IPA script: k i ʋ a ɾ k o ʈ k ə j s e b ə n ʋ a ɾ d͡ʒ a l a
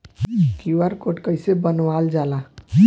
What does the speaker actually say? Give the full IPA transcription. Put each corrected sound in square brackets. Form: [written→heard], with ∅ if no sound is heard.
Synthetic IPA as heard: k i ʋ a ɾ k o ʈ k ə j s e b ə n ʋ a [ɾ→l] d͡ʒ a l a